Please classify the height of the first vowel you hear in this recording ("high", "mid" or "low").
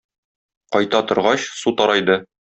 low